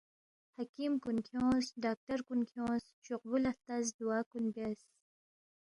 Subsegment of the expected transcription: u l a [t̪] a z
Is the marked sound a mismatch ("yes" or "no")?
no